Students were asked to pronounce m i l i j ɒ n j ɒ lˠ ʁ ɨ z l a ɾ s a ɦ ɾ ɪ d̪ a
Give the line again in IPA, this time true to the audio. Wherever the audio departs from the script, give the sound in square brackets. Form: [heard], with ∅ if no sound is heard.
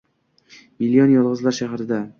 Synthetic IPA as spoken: m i l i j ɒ n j ɒ lˠ ʁ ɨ z l a ɾ [ʃ] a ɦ ɾ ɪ d̪ a